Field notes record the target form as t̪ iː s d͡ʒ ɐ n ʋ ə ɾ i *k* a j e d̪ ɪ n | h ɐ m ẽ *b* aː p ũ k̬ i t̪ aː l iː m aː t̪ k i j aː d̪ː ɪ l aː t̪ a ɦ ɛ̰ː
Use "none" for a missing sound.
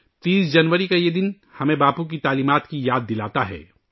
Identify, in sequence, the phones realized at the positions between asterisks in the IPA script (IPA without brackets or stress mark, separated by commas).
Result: k, b